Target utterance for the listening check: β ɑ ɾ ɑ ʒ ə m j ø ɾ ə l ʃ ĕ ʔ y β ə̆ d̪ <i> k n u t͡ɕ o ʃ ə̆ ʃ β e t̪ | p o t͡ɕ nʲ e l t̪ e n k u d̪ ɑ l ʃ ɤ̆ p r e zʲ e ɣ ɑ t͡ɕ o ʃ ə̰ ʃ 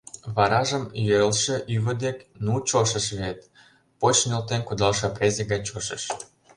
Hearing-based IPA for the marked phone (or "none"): e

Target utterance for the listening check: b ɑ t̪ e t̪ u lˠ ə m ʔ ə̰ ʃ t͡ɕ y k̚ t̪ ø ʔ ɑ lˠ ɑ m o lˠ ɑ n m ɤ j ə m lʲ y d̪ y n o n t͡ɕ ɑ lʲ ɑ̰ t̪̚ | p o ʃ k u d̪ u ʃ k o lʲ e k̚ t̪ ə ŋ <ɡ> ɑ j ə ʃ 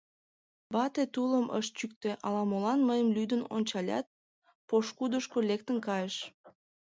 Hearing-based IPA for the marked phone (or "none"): k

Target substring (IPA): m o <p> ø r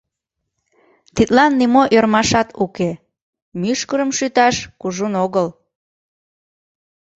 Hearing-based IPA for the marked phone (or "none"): ʔ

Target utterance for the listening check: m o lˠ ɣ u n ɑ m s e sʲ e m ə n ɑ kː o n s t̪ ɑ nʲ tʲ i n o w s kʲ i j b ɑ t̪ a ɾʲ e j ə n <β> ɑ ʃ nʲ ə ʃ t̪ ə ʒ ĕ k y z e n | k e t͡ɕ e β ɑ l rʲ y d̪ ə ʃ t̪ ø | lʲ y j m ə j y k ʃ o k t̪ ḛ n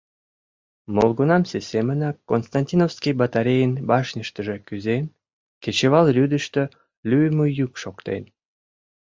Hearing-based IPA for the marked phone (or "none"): b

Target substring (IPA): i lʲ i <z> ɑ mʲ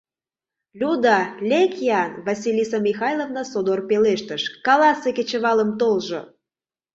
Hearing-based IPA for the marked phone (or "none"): s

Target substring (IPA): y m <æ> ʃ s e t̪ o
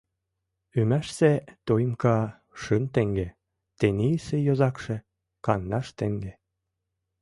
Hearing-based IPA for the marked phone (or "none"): æ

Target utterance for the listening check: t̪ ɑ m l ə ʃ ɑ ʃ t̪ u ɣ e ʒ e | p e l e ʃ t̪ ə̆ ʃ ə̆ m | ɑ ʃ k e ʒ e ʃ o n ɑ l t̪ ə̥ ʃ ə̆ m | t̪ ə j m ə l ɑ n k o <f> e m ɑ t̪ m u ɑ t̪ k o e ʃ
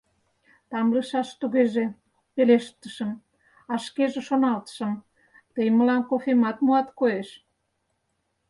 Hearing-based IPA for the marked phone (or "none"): f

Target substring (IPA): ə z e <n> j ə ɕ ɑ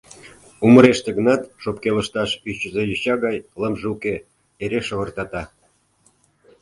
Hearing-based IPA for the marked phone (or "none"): none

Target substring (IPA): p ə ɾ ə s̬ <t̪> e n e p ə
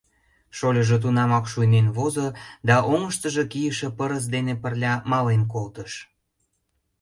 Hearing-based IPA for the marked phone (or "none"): d̪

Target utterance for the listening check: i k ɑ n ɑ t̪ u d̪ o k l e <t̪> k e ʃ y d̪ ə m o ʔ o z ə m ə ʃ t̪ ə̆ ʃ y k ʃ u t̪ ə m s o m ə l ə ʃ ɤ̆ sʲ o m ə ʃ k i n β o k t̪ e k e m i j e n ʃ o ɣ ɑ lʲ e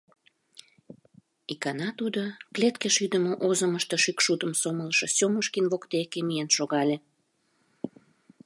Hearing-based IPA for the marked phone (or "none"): t̪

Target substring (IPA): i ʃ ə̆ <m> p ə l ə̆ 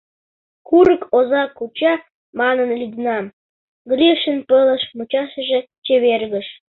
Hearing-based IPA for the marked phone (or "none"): n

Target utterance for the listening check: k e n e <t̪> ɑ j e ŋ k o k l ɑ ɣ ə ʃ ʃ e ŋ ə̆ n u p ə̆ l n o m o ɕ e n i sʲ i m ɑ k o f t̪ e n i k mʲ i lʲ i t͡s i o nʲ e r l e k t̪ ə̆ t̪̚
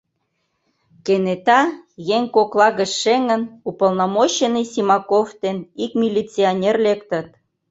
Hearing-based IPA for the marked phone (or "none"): t̪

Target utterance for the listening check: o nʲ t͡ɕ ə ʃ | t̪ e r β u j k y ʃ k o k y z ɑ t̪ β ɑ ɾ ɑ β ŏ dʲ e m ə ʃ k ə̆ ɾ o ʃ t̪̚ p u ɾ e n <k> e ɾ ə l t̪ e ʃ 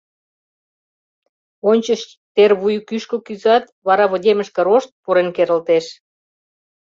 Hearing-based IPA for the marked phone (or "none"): k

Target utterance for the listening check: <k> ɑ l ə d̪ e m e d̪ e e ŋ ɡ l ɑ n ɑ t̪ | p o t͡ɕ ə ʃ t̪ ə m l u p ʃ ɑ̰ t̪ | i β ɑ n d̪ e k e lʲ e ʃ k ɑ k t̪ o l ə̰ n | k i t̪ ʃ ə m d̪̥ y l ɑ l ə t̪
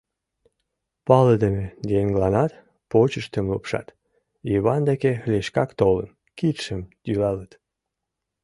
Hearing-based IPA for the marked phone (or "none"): p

